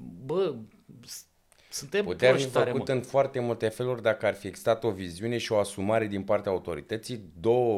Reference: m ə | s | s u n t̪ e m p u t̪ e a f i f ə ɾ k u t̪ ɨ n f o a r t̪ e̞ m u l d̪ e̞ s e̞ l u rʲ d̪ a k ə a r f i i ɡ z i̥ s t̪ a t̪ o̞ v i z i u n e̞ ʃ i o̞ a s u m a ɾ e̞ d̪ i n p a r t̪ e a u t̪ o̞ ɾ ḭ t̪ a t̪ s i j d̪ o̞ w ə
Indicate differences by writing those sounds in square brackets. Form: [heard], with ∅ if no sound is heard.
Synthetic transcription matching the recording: [b] ə | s | s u n t̪ e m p u t̪ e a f i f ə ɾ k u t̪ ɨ n f o a r t̪ e̞ m u l [t̪] e̞ [f] e̞ l u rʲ d̪ a k ə a r f i [e] ɡ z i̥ s t̪ a t̪ o̞ v i z i u n e̞ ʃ i o̞ a s u m a ɾ e̞ d̪ i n p a r t̪ e a u t̪ o̞ ɾ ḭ t̪ [ə] t̪ s i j d̪ o̞ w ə